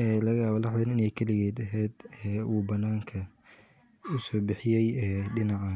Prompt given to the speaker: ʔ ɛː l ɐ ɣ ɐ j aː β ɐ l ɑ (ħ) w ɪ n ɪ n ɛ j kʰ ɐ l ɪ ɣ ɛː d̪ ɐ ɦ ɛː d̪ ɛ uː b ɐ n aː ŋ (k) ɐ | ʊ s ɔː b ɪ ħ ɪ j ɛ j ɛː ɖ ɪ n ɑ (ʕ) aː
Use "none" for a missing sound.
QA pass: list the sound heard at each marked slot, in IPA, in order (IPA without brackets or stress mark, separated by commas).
ħ, kʰ, ʕ